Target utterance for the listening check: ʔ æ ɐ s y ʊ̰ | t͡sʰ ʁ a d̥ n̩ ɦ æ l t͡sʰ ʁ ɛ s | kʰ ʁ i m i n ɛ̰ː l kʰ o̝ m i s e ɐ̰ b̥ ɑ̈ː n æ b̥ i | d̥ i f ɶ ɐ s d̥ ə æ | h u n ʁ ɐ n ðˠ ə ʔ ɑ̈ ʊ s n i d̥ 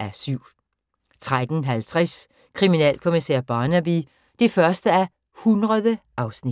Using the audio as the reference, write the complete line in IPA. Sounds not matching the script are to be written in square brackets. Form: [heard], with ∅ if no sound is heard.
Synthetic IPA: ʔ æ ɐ s y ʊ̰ | t͡sʰ ʁ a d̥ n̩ ɦ æ l t͡sʰ ʁ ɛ s | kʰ ʁ i m i n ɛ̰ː l kʰ o̝ m i s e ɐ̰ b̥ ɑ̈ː n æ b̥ i | d̥ i f ɶ ɐ s d̥ ə æ | h u n ʁ ɐ [∅] ðˠ ə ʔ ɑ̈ ʊ s n i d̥